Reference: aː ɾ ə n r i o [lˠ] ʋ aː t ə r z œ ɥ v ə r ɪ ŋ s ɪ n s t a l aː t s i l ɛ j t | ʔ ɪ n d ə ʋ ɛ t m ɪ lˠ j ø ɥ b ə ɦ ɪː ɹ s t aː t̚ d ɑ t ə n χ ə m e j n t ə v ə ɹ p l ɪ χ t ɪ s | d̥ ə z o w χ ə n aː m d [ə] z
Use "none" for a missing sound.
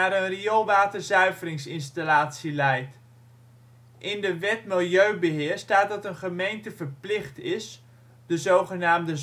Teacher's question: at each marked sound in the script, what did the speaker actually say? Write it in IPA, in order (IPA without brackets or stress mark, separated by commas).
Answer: lˠ, ə